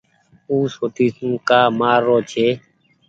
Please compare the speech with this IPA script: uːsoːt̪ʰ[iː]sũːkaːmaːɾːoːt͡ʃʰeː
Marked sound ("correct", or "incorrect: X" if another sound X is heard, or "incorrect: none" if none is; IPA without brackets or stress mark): correct